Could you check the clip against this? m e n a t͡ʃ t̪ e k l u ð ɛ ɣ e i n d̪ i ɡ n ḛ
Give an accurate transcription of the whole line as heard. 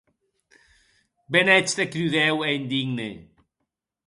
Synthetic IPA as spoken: b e n ɛ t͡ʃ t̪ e k ɾ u ð ɛ w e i n d̪ i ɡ n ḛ